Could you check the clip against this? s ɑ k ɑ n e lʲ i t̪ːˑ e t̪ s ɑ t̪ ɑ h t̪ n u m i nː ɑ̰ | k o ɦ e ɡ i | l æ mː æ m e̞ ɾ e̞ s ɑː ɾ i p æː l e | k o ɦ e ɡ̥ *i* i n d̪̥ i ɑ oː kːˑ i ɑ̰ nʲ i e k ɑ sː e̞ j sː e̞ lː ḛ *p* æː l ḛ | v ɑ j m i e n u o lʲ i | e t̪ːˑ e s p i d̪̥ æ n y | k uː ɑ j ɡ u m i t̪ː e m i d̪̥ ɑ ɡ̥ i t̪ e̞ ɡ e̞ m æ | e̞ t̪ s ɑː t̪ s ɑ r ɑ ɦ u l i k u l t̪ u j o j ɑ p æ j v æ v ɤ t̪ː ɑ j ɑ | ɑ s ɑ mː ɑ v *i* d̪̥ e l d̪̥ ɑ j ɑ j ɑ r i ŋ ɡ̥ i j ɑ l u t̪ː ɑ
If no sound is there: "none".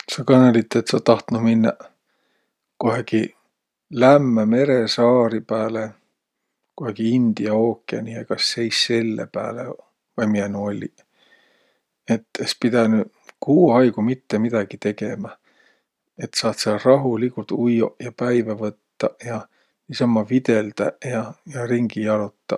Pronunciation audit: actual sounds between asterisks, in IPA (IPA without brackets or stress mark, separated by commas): i, p, i